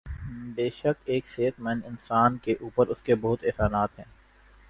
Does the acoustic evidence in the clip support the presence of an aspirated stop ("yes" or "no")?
no